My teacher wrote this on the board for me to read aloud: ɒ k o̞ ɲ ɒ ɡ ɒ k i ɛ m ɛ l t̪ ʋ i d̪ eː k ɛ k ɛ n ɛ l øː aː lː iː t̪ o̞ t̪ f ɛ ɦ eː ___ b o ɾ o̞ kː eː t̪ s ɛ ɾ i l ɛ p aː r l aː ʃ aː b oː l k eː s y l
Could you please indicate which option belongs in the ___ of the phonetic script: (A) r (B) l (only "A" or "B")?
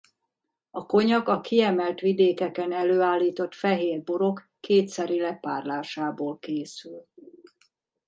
A